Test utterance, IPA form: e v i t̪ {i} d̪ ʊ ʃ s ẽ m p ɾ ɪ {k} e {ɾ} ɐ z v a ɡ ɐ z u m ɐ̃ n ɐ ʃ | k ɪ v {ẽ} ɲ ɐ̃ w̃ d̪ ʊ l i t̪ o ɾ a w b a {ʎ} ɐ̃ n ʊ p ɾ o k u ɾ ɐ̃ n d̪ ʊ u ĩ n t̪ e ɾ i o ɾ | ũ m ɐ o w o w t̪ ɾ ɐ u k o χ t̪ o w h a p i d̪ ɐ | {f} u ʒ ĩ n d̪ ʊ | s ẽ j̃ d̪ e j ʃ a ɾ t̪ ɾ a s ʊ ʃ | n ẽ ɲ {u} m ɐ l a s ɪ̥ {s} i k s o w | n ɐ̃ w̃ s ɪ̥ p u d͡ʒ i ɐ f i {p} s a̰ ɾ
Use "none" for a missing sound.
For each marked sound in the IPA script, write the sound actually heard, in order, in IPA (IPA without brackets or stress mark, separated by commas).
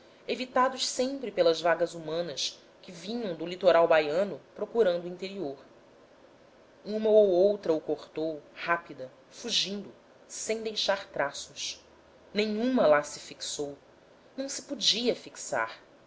a, p, l, ĩ, j, f, ũ, f, k